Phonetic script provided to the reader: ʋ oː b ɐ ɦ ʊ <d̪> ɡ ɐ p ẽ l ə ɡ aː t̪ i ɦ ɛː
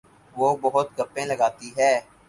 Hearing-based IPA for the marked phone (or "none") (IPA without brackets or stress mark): t̪